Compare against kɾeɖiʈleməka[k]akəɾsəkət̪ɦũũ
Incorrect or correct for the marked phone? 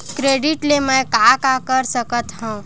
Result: correct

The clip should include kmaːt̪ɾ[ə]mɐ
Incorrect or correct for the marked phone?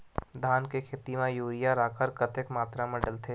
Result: incorrect: a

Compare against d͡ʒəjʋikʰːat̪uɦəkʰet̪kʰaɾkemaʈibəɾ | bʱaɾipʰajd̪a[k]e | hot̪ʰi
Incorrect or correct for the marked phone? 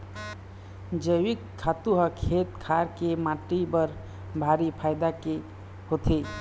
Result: correct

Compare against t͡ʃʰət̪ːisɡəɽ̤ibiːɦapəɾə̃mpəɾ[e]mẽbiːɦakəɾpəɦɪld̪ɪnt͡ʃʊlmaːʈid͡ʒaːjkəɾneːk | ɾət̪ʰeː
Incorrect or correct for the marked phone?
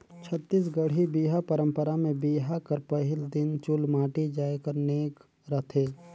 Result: incorrect: a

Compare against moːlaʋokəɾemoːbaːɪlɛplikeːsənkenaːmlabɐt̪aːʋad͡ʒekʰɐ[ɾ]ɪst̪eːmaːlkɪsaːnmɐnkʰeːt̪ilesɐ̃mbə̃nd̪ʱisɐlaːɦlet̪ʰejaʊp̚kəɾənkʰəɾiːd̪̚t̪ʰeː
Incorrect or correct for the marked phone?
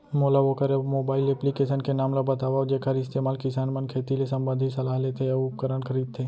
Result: correct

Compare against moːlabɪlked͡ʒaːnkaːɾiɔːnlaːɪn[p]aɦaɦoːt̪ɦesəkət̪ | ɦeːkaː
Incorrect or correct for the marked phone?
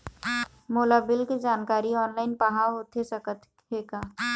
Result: correct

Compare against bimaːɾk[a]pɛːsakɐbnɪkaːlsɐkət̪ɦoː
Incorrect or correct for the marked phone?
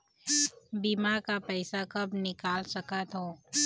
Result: correct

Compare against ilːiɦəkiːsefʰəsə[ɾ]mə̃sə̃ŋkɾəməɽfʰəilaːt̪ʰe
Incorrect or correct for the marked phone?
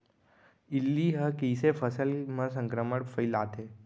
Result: incorrect: l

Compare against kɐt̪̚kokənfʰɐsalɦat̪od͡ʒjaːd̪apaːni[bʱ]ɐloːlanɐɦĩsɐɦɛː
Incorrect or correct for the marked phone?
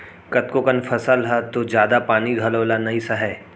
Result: incorrect: ɡʱ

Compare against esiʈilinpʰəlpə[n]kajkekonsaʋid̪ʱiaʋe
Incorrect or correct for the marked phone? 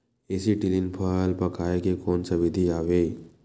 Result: incorrect: none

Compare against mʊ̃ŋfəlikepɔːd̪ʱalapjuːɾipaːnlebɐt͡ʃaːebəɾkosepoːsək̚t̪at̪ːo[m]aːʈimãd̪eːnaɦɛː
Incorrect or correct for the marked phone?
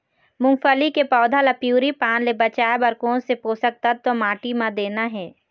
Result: correct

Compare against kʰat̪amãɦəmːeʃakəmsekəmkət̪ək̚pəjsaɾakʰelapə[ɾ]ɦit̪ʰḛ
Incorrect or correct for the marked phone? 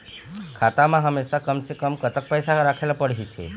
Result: incorrect: ɽ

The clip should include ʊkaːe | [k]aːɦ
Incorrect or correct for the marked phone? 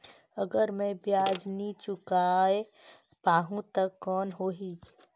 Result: incorrect: p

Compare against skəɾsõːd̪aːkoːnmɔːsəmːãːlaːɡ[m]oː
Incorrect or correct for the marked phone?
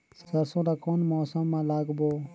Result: incorrect: b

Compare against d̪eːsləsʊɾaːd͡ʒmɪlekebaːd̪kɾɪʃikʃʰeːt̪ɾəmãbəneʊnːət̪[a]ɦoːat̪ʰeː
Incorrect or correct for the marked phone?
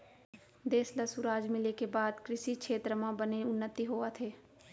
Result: incorrect: i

